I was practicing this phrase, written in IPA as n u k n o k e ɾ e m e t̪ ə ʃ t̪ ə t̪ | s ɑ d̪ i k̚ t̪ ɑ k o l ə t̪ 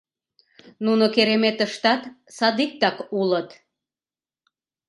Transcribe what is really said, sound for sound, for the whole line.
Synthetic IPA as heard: n u n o k e ɾ e m e t̪ ə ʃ t̪ ɑ t̪ | s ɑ d̪ i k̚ t̪ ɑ k u l ə t̪